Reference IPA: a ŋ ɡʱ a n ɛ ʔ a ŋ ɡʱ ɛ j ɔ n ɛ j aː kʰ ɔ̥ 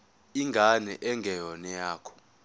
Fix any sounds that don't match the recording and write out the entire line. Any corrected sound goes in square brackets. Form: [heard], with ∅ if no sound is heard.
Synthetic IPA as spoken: [i] ŋ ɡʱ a n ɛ ʔ [ɛ] ŋ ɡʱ ɛ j ɔ n ɛ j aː kʰ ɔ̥